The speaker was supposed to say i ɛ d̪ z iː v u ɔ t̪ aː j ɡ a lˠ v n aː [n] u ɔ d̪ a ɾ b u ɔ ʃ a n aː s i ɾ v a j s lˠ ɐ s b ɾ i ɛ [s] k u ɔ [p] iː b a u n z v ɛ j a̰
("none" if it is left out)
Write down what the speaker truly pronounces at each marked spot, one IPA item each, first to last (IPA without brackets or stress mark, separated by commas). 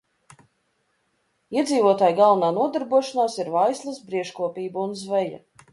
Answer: n, ʃ, p